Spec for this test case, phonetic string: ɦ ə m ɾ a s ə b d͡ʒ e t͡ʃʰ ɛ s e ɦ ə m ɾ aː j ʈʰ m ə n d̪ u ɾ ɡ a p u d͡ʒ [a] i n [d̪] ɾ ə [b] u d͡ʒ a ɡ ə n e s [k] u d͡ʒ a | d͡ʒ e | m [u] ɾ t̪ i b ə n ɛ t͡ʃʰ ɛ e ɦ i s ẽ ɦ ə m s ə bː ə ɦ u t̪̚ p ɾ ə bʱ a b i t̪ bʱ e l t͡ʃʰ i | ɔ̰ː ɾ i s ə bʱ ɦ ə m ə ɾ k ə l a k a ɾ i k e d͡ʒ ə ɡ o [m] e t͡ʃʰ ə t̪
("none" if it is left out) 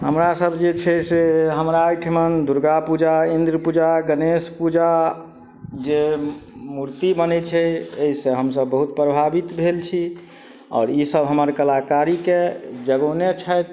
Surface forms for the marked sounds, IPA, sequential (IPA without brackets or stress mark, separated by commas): a, d̪, p, p, u, n